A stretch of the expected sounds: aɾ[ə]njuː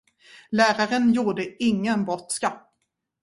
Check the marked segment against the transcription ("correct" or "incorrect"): correct